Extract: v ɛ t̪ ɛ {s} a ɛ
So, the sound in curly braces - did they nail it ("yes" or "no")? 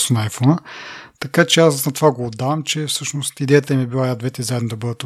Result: no